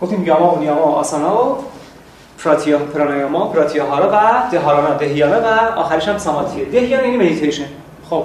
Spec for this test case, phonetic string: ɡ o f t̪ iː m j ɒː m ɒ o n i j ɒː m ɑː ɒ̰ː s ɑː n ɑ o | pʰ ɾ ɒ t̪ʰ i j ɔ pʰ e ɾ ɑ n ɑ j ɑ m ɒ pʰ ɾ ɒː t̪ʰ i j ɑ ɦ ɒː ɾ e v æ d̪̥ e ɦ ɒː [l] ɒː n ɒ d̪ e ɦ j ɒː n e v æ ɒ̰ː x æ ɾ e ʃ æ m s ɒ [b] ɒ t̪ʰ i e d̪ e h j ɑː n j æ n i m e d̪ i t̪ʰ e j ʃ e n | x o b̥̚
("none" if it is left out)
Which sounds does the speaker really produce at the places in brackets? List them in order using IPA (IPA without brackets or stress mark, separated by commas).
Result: ɾ, m